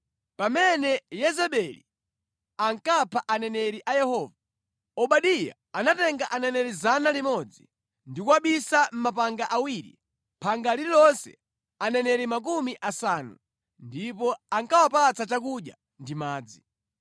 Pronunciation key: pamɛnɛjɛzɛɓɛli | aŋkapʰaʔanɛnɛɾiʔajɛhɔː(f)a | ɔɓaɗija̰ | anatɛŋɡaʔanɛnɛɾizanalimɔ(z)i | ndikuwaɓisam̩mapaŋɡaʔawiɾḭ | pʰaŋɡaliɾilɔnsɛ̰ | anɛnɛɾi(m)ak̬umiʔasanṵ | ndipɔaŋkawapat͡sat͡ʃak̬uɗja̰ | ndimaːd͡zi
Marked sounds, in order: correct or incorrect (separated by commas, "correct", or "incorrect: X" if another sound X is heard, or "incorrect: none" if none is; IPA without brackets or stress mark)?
incorrect: v, incorrect: d͡z, correct